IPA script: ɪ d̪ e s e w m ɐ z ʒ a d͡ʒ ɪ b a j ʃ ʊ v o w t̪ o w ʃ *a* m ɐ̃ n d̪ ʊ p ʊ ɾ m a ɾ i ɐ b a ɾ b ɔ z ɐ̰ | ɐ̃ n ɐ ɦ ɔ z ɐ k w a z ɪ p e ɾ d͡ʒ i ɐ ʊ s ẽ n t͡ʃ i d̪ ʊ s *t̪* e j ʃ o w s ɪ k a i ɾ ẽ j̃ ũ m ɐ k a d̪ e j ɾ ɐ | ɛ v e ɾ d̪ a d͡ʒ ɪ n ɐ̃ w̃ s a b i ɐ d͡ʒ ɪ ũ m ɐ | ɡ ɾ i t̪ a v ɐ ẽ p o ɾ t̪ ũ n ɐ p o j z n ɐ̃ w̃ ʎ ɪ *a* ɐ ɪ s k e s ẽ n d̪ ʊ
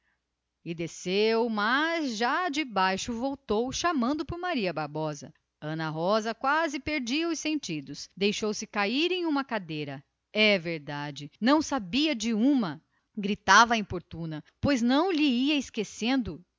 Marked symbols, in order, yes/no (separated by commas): yes, no, no